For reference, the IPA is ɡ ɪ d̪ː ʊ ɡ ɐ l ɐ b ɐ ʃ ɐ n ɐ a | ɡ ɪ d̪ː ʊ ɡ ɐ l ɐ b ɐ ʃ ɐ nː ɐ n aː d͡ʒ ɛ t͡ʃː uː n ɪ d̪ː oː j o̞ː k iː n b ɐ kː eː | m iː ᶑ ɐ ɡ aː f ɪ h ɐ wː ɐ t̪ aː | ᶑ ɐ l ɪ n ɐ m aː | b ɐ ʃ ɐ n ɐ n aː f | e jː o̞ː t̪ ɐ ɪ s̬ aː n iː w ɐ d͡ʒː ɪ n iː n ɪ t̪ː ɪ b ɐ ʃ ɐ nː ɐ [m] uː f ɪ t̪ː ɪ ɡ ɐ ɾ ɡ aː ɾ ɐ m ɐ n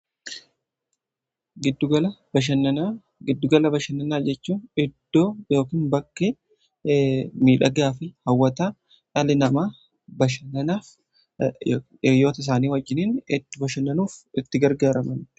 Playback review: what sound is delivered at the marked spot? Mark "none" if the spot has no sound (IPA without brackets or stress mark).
n